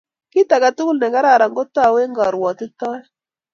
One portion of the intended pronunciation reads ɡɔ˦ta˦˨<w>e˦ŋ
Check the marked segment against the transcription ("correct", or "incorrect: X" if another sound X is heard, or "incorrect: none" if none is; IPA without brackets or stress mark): correct